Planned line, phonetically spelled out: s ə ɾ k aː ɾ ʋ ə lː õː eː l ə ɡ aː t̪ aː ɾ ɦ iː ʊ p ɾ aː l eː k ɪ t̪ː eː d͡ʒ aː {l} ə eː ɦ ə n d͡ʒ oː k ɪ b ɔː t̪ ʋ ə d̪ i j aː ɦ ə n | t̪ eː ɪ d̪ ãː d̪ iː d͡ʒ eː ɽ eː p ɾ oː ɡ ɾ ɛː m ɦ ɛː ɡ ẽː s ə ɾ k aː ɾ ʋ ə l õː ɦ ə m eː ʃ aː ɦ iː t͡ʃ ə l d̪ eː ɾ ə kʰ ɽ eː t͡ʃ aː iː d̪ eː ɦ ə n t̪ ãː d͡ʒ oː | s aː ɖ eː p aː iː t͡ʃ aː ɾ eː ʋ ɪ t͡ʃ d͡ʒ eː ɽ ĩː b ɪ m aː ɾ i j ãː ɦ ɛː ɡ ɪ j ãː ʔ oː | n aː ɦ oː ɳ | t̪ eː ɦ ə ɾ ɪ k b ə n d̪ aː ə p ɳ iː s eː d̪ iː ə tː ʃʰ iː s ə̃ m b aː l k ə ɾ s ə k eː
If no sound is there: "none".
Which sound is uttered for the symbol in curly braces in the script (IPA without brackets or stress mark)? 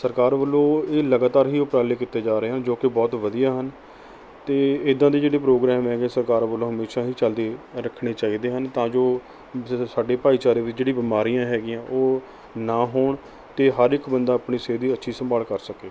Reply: ɾ